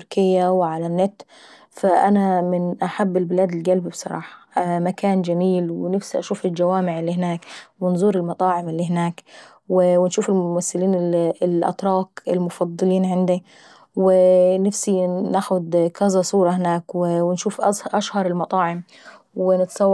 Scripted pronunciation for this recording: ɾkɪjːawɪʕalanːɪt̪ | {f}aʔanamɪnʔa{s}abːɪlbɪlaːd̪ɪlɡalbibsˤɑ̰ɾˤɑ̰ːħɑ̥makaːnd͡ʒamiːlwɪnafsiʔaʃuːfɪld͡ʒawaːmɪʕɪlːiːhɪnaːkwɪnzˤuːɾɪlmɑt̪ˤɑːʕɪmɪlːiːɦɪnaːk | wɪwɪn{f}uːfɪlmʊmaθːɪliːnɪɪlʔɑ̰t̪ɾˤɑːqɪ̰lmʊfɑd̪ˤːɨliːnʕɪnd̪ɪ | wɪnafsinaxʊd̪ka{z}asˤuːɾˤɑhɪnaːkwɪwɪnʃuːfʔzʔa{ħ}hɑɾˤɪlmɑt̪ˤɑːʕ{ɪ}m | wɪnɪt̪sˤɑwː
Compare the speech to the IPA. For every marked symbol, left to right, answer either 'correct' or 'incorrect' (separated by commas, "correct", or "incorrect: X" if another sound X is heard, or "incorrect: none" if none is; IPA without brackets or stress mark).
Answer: correct, incorrect: ħ, incorrect: ʃ, correct, incorrect: ʃ, correct